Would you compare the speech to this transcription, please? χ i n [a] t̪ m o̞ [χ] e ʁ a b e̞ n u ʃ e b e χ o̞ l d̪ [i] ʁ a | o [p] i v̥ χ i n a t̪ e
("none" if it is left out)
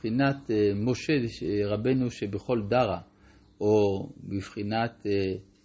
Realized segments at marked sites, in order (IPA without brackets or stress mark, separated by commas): a, ʃ, a, b